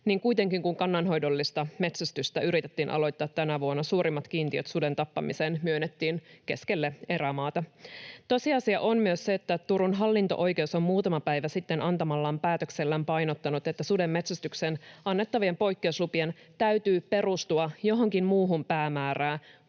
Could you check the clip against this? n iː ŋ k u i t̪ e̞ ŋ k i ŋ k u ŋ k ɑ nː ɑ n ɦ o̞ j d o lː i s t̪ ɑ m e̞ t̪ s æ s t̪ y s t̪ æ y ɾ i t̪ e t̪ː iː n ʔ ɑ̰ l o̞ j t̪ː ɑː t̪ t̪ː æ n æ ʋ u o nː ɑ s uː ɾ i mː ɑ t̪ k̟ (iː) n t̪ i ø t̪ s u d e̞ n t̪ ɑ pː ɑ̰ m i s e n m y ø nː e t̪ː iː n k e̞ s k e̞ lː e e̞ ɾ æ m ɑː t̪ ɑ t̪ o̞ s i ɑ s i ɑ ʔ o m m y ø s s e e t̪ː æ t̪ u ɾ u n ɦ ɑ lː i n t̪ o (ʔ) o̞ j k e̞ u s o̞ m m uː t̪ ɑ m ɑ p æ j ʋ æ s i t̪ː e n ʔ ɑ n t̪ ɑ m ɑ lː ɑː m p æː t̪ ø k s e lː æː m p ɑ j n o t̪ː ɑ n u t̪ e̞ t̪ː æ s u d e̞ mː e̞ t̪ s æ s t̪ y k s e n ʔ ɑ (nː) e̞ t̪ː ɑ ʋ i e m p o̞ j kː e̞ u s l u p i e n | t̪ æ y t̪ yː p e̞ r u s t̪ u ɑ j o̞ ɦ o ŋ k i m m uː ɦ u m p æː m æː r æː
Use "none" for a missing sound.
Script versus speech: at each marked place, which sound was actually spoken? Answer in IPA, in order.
iː, ʔ, nː

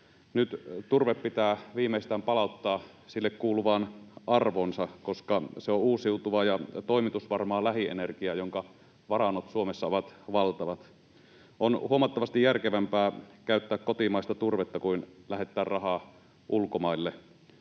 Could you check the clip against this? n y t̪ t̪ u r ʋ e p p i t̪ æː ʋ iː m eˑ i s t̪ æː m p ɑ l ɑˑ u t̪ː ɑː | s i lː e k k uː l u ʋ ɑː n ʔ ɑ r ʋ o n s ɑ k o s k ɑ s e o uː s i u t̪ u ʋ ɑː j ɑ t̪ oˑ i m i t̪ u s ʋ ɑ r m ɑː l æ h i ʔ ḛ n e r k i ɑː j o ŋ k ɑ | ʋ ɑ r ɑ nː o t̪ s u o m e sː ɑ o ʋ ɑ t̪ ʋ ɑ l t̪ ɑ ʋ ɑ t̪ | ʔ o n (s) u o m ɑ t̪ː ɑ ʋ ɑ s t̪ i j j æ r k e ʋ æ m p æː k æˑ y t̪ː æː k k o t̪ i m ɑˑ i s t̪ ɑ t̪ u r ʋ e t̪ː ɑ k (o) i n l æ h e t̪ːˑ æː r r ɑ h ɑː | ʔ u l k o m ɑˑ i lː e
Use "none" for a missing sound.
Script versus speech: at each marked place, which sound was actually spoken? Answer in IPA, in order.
h, u

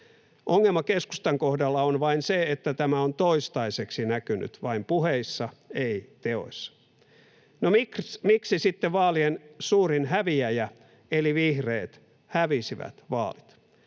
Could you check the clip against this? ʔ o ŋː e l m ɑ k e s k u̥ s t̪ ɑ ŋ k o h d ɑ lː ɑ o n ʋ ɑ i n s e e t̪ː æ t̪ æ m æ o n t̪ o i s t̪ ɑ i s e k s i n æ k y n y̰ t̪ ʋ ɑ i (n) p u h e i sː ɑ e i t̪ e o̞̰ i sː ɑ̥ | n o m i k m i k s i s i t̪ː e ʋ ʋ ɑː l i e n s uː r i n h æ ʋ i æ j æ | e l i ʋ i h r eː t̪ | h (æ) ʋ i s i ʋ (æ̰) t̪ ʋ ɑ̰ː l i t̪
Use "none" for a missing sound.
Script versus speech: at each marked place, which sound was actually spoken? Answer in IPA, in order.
m, æ, æ̰

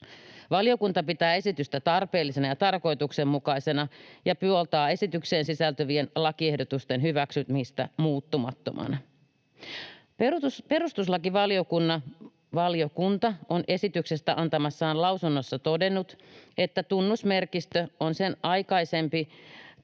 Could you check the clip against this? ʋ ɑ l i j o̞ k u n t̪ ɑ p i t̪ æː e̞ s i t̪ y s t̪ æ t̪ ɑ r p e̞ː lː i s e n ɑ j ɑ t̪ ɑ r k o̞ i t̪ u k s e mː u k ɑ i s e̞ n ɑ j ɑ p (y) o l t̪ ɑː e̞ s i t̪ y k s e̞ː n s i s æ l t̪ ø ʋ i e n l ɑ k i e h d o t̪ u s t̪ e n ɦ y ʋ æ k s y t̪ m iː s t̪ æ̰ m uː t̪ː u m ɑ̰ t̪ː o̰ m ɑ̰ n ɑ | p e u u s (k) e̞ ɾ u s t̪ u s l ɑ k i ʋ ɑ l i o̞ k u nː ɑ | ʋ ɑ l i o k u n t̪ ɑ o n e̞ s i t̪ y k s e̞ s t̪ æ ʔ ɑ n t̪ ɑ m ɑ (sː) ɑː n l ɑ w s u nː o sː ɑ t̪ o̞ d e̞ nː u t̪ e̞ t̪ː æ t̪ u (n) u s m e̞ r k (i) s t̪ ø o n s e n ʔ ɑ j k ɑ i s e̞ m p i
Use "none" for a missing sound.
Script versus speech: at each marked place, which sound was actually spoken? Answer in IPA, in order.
y, p, sː, nː, i

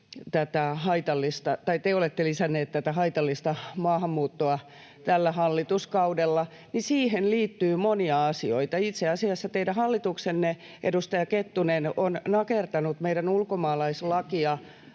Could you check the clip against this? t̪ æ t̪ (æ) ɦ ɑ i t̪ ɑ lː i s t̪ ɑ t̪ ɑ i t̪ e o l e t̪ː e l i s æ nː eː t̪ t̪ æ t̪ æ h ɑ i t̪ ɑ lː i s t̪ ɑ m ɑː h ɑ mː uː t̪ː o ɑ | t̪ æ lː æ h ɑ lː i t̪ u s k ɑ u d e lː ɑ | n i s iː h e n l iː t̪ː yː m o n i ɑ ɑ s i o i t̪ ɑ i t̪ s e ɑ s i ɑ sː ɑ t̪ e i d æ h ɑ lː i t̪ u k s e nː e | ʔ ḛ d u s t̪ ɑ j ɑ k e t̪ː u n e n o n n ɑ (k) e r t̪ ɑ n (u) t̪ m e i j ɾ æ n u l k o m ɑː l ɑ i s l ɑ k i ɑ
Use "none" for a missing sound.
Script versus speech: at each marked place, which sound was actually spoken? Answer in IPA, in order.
æ, k, u

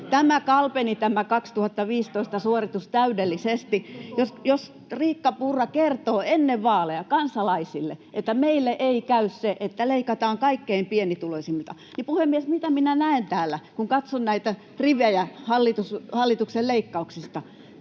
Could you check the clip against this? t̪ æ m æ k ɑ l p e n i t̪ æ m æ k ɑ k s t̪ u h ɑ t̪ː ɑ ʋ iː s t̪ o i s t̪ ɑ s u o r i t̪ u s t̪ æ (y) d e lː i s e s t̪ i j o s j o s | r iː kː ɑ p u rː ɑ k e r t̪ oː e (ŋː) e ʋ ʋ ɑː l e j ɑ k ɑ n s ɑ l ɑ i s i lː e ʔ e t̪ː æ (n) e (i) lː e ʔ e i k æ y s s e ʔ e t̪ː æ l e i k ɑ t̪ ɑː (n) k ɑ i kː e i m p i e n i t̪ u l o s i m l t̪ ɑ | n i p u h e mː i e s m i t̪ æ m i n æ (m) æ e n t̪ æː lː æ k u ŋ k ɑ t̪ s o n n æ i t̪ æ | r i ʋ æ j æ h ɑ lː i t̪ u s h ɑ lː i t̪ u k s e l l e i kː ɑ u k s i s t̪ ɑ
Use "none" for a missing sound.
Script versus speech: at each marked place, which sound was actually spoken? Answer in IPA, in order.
y, nː, m, i, ŋ, n

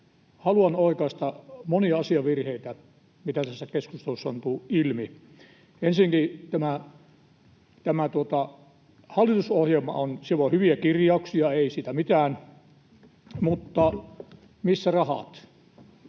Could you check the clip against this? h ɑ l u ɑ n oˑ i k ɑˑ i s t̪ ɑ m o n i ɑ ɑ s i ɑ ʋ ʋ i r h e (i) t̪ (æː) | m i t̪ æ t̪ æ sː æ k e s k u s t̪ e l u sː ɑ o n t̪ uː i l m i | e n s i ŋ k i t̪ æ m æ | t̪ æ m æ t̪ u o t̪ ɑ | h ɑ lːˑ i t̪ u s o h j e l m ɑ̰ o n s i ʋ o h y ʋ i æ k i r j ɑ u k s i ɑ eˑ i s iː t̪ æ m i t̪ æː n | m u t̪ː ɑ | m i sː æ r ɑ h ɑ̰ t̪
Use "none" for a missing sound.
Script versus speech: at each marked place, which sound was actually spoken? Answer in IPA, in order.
i, æ

